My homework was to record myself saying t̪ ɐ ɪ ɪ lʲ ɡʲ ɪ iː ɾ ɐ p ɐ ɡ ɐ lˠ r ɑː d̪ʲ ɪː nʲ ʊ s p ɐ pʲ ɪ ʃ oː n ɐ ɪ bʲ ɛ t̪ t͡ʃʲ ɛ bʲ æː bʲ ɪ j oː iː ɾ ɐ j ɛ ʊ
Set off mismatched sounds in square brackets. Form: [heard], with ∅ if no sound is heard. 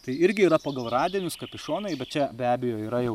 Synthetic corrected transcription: t̪ ɐ ɪ ɪ [ɾʲ] ɡʲ ɪ iː ɾ ɐ p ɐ ɡ ɐ lˠ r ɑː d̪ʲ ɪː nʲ ʊ s [k] ɐ pʲ ɪ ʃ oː n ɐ ɪ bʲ ɛ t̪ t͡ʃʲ ɛ bʲ æː bʲ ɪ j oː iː ɾ ɐ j ɛ ʊ

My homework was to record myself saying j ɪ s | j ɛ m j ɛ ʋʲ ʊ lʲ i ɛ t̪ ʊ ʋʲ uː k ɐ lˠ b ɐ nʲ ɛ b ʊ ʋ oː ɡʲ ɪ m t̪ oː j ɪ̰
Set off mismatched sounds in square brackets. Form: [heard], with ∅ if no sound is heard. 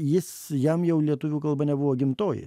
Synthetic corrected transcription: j ɪ s | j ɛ m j ɛ [∅] ʊ lʲ i ɛ t̪ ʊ ʋʲ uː k ɐ lˠ b ɐ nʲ ɛ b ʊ ʋ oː ɡʲ ɪ m t̪ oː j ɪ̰

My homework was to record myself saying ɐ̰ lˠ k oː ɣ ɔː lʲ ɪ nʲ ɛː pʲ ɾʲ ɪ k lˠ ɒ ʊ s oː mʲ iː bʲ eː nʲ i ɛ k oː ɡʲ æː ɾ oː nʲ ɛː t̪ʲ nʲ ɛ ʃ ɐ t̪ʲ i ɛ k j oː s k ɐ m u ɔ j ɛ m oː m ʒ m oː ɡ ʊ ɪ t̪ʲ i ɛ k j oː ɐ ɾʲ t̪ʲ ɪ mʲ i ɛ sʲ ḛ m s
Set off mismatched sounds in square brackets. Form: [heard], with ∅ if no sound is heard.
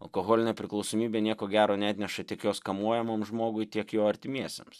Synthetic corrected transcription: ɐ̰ lˠ k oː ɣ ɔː lʲ ɪ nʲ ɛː pʲ ɾʲ ɪ k lˠ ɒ ʊ s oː mʲ iː bʲ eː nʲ i ɛ k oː ɡʲ æː ɾ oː nʲ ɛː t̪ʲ nʲ ɛ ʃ ɐ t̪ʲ i ɛ k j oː s k ɐ m u ɔ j ɛ m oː m ʒ m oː ɡ ʊ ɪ t̪ʲ i ɛ k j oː ɐ ɾʲ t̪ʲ ɪ mʲ i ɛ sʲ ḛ m s

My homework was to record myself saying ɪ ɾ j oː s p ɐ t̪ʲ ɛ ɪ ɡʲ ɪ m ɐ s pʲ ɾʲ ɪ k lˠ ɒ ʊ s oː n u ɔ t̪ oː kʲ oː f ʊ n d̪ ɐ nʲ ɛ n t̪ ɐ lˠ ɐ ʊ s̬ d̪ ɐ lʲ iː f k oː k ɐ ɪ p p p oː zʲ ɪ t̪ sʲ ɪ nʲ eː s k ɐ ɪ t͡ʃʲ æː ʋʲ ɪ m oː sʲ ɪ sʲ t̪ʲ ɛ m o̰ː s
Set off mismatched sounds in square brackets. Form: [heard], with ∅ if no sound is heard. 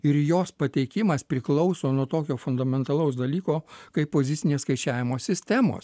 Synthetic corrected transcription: ɪ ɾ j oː s p ɐ t̪ʲ ɛ ɪ [kʲ] ɪ m ɐ s pʲ ɾʲ ɪ k lˠ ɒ ʊ s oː n u ɔ t̪ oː kʲ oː f ʊ n d̪ ɐ [mʲ] ɛ n t̪ ɐ lˠ ɐ ʊ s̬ d̪ ɐ lʲ iː [∅] k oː k ɐ ɪ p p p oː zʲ ɪ t̪ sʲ ɪ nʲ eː s k ɐ ɪ t͡ʃʲ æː ʋʲ ɪ m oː sʲ ɪ sʲ t̪ʲ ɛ m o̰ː s

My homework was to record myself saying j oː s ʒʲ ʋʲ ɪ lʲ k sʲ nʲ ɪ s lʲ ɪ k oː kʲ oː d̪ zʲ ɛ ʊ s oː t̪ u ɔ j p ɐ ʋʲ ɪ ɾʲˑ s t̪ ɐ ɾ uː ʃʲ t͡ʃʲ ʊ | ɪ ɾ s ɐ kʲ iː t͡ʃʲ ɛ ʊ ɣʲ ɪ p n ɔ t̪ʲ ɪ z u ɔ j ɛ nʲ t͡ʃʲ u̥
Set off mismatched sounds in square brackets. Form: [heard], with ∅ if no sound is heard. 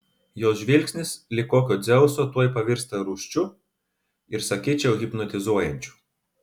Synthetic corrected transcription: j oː s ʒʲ ʋʲ ɪ lʲ k sʲ nʲ ɪ s lʲ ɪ k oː kʲ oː d̪ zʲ ɛ ʊ s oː t̪ u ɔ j p ɐ ʋʲ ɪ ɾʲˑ s t̪ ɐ ɾ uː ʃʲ t͡ʃʲ ʊ | ɪ ɾ s ɐ kʲ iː t͡ʃʲ ɛ ʊ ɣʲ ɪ p n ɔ t̪ʲ ɪ z u ɔ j ɛ nʲ t͡ʃʲ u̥

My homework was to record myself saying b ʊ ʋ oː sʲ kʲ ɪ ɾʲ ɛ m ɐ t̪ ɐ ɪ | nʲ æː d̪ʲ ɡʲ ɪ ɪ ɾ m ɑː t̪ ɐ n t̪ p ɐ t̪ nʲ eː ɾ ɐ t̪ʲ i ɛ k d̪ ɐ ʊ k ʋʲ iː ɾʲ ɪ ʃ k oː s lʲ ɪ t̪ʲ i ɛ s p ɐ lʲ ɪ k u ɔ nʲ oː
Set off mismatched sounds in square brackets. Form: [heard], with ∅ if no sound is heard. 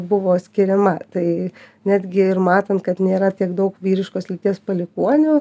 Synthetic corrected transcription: b ʊ ʋ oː sʲ kʲ ɪ ɾʲ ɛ m ɐ t̪ ɐ ɪ | nʲ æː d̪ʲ ɡʲ ɪ ɪ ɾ m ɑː t̪ ɐ n t̪ [k] ɐ t̪ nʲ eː ɾ ɐ t̪ʲ i ɛ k d̪ ɐ ʊ k ʋʲ iː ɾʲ ɪ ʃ k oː s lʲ ɪ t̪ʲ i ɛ s p ɐ lʲ ɪ k u ɔ nʲ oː

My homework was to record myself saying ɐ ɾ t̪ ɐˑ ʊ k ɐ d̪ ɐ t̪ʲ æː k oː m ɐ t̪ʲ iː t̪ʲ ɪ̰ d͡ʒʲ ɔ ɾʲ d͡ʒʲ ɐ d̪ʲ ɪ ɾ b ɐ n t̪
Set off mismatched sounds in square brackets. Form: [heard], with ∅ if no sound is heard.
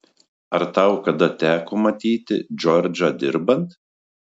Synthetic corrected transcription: ɐ ɾ t̪ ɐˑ ʊ k ɐ d̪ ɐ t̪ʲ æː k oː m ɐ t̪ʲ iː t̪ʲ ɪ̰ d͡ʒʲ ɔ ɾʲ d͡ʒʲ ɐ d̪ʲ ɪ ɾ b ɐ n t̪

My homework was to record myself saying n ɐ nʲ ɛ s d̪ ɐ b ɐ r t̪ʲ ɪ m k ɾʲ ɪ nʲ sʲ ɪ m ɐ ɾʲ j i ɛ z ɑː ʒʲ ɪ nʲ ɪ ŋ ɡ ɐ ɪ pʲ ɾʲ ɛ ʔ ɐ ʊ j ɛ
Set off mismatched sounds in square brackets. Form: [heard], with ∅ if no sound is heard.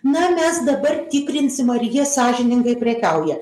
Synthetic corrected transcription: n ɐ [mʲ] ɛ s d̪ ɐ b ɐ r t̪ʲ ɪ [∅] k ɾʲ ɪ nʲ sʲ ɪ m ɐ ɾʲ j i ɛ [s] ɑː ʒʲ ɪ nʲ ɪ ŋ ɡ ɐ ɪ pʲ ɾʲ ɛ [k] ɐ ʊ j ɛ

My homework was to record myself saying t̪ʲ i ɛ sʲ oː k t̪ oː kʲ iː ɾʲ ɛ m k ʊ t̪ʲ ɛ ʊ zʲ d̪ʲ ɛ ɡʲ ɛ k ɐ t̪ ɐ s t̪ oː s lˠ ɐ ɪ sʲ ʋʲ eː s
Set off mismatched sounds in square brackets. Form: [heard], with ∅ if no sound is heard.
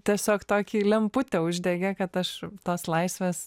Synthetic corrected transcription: t̪ʲ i ɛ sʲ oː k t̪ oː kʲ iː [lʲ] ɛ m [p] ʊ t̪ʲ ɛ ʊ [ʒʲ] d̪ʲ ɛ ɡʲ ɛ k ɐ t̪ ɐ [ʃ] t̪ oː s lˠ ɐ ɪ sʲ ʋʲ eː s

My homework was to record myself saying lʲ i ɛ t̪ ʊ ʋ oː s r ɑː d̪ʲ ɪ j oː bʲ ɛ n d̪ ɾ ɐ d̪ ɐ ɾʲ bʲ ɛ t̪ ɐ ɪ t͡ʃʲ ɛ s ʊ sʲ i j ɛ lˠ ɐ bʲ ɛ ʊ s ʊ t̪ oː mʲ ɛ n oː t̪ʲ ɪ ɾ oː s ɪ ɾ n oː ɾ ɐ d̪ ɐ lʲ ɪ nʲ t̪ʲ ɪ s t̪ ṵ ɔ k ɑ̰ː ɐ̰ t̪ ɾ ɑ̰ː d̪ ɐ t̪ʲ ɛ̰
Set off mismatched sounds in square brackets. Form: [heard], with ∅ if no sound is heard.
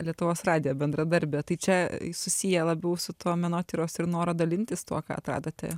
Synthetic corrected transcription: lʲ i ɛ t̪ ʊ ʋ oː s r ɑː d̪ʲ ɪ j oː bʲ ɛ n d̪ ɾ ɐ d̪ ɐ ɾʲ bʲ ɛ t̪ ɐ ɪ t͡ʃʲ ɛ s ʊ sʲ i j ɛ lˠ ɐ bʲ ɛ ʊ s ʊ t̪ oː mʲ ɛ n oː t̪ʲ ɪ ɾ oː s ɪ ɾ n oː ɾ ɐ d̪ ɐ lʲ ɪ nʲ t̪ʲ ɪ s t̪ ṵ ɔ k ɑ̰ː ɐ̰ t̪ ɾ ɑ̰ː d̪ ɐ t̪ʲ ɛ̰

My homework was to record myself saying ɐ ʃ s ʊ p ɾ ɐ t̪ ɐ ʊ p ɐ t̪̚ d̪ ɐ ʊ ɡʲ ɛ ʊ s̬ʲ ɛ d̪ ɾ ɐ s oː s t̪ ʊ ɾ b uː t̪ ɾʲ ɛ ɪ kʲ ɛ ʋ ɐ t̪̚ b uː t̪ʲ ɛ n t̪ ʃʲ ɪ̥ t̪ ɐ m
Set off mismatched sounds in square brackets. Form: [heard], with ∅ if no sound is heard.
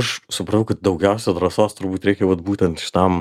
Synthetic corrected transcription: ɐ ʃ s ʊ p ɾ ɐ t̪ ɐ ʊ [k] ɐ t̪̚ d̪ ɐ ʊ ɡʲ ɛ ʊ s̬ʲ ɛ d̪ ɾ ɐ s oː s t̪ ʊ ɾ b uː t̪ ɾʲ ɛ ɪ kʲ ɛ ʋ ɐ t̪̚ b uː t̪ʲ ɛ n t̪ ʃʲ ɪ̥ t̪ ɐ m

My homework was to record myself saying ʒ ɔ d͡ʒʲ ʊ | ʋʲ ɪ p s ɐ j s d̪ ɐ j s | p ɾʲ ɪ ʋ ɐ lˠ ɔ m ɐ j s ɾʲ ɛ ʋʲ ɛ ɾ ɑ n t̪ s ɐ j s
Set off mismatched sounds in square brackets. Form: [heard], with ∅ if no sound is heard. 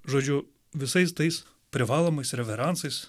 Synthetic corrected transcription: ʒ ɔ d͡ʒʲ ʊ | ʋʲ ɪ [∅] s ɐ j s [t̪] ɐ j s | p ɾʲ ɪ ʋ [ɑ] lˠ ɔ m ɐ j s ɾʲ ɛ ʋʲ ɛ ɾ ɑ n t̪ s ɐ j s

